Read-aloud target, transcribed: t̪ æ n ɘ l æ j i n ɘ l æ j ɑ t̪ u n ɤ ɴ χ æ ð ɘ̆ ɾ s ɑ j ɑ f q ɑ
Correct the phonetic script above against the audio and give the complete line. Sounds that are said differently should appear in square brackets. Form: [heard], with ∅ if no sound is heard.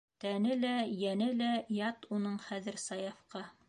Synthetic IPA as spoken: t̪ æ n ɘ l æ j [æ] n ɘ l æ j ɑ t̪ u n ɤ ɴ χ æ ð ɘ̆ ɾ s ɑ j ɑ f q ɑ